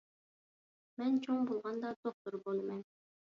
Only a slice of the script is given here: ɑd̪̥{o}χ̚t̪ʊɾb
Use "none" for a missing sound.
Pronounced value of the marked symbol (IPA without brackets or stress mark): o